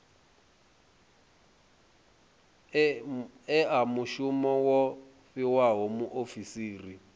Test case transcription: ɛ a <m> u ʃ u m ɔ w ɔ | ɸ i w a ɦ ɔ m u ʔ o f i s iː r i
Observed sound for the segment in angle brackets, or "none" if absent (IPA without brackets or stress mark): m